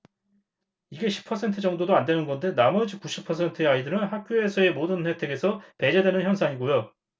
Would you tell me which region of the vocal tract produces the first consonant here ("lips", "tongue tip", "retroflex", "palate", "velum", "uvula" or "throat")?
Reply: velum